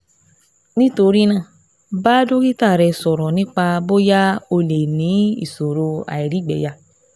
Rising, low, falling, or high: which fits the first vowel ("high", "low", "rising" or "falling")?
high